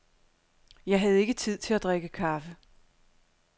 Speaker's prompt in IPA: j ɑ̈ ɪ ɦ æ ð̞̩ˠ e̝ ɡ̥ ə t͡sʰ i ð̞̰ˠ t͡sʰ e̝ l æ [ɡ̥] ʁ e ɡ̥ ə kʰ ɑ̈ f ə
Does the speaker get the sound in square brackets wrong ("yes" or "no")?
yes